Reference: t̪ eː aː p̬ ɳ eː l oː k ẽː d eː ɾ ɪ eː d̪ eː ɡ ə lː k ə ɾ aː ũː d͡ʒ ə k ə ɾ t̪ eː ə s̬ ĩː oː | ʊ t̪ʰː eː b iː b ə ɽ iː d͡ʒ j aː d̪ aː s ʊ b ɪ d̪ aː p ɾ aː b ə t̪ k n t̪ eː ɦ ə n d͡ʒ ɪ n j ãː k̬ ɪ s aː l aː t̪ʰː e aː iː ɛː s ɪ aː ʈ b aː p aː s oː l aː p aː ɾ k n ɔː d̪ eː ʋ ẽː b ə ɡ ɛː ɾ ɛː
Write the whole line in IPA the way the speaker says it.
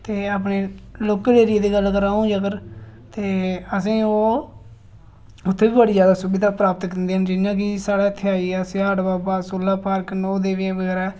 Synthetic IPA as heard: t̪ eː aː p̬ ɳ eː l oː k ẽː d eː ɾ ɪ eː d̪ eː ɡ ə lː k ə ɾ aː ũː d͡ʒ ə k ə ɾ t̪ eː ə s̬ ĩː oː | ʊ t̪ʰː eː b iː b ə ɽ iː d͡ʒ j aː d̪ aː s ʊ b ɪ d̪ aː p ɾ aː p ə t̪ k n d̪ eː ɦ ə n d͡ʒ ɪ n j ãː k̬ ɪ s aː ɽ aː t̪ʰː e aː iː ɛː s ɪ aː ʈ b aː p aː s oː l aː p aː ɾ k n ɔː d̪ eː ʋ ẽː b ə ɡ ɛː ɾ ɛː